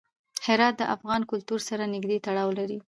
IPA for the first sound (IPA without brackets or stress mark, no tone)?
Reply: h